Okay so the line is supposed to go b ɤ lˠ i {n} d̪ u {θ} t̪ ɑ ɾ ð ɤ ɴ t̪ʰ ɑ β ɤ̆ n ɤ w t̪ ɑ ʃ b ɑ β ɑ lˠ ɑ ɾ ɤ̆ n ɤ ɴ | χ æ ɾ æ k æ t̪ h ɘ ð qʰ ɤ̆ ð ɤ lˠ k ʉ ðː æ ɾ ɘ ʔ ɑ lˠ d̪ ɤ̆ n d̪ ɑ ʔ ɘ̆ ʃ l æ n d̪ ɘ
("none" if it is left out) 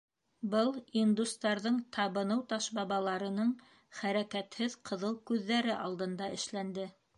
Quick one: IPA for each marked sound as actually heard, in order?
n, s

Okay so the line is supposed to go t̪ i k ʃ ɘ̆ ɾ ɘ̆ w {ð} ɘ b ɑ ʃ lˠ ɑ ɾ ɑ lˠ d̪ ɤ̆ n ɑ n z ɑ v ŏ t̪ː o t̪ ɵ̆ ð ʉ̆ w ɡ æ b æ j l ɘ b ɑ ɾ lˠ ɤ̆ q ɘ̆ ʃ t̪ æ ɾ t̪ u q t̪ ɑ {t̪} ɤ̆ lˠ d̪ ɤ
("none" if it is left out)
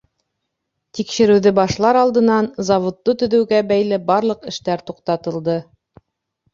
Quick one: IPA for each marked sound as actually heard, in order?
ð, t̪

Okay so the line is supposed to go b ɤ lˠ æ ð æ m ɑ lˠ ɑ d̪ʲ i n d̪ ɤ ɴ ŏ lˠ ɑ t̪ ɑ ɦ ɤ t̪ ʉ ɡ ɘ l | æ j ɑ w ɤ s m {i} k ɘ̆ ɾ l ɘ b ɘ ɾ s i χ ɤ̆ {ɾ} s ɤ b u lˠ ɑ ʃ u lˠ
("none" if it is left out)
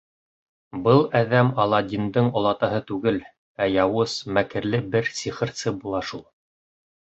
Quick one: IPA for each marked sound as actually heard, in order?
æ, ɾ

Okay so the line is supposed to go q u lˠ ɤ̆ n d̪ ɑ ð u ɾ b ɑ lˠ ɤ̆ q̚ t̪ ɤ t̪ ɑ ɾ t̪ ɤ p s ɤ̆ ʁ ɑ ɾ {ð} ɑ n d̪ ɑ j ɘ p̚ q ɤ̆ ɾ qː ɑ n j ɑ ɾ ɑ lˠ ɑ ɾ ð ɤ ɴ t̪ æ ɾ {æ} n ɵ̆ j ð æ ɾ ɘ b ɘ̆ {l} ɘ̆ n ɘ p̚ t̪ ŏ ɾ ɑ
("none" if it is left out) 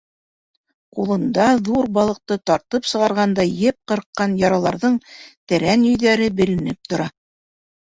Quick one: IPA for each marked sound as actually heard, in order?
ʁ, æ, l

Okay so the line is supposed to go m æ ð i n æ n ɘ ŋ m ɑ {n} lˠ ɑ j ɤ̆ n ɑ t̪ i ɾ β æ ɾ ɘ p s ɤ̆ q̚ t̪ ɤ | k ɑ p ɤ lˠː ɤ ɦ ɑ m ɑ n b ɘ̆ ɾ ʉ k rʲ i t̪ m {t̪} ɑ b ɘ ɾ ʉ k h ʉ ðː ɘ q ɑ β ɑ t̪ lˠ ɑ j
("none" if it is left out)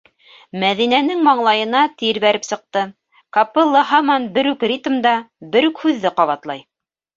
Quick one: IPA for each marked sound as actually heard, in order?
ɴ, d̪

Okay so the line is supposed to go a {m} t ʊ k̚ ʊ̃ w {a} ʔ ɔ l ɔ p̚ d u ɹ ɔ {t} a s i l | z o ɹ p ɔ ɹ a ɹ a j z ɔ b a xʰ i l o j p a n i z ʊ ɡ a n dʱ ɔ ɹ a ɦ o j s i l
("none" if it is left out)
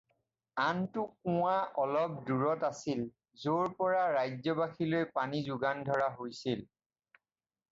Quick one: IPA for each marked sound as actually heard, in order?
n, a, t

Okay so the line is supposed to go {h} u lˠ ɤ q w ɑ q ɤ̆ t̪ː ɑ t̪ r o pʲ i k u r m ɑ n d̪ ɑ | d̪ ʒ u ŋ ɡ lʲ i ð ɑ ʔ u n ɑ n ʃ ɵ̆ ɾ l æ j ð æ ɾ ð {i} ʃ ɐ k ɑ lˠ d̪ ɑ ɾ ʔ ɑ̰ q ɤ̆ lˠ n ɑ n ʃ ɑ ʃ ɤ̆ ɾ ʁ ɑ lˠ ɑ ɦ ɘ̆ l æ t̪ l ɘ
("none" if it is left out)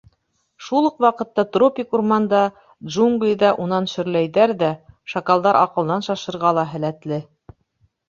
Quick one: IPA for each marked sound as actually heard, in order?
ʃ, æ

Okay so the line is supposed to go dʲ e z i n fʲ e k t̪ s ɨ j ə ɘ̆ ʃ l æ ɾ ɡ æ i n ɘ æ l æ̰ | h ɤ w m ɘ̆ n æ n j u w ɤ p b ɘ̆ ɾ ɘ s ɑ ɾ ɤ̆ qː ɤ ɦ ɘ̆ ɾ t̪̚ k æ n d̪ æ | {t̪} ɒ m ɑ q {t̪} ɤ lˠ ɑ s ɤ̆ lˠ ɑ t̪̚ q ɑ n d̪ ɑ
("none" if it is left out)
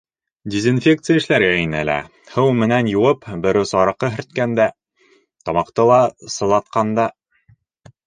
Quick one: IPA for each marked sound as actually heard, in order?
t̪, t̪

